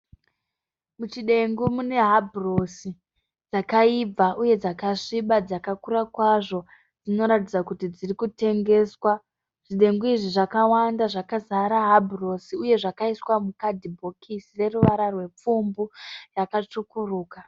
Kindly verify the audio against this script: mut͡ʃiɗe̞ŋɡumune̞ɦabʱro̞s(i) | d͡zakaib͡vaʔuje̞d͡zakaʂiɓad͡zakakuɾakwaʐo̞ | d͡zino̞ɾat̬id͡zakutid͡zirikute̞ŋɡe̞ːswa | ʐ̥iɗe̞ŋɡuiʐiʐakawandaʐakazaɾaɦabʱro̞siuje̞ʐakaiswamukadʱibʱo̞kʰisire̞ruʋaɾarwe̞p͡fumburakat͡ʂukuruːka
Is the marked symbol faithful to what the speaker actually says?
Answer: yes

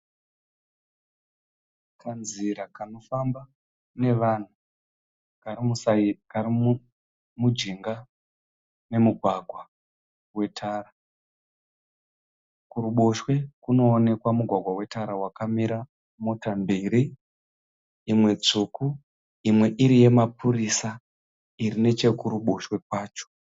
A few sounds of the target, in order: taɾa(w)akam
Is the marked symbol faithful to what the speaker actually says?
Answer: yes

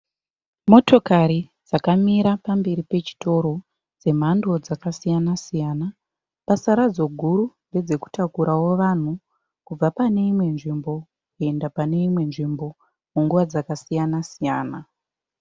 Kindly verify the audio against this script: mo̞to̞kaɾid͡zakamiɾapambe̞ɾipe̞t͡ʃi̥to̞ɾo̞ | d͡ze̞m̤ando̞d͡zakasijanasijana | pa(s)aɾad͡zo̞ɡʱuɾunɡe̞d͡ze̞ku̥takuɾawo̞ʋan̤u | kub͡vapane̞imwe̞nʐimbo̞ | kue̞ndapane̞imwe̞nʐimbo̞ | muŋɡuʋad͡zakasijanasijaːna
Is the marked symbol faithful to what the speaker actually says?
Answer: yes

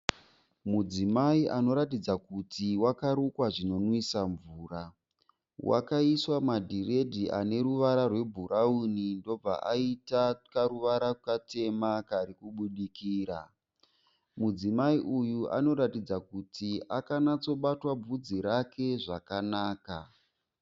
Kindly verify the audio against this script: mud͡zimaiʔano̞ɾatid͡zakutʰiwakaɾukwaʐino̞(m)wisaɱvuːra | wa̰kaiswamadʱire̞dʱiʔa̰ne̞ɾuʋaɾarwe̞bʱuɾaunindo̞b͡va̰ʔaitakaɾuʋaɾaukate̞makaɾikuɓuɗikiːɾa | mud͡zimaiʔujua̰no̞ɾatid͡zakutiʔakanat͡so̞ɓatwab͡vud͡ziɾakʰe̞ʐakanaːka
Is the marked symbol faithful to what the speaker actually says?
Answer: no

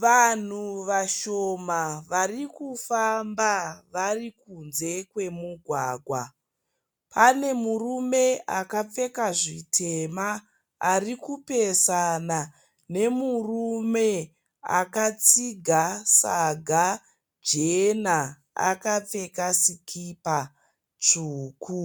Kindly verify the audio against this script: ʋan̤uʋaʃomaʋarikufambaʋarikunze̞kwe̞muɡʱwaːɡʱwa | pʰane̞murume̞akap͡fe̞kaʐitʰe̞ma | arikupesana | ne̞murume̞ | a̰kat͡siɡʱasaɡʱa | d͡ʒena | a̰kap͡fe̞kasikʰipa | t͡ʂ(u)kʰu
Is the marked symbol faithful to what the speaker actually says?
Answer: no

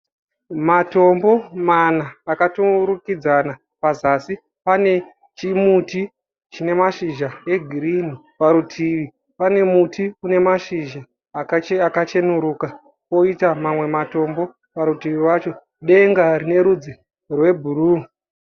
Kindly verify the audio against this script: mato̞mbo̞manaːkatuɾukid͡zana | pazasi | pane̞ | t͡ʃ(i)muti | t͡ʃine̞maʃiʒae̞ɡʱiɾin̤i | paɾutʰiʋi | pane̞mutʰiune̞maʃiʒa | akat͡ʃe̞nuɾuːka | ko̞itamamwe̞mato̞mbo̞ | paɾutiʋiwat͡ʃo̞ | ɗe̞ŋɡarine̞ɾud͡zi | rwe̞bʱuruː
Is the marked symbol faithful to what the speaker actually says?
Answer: yes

